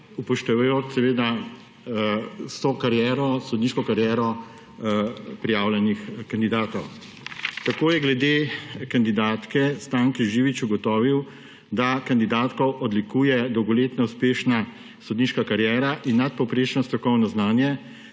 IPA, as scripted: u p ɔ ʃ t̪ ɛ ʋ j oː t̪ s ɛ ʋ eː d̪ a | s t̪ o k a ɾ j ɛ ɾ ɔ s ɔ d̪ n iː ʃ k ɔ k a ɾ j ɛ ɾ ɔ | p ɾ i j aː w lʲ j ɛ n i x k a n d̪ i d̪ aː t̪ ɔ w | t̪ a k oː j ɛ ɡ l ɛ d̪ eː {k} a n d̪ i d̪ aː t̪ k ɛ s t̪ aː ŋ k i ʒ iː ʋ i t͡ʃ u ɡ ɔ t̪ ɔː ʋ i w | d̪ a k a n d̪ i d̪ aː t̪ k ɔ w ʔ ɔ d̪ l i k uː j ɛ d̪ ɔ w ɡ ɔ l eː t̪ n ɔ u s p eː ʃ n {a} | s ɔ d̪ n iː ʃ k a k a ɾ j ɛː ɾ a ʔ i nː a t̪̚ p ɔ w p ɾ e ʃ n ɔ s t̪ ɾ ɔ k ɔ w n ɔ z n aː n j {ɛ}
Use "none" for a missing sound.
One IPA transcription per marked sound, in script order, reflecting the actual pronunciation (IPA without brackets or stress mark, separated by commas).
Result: k, a, ɛ